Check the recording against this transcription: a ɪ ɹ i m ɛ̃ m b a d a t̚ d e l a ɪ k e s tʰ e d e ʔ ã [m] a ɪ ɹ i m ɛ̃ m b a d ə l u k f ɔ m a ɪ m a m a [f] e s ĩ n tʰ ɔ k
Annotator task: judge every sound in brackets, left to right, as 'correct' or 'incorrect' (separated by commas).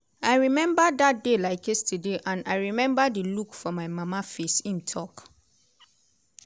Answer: incorrect, correct